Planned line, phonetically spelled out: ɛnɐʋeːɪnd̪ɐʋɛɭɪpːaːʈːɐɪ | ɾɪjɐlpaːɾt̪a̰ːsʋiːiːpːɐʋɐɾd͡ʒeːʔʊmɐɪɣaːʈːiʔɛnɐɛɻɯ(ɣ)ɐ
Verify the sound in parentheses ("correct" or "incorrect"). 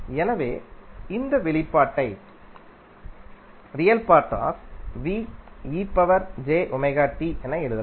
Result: incorrect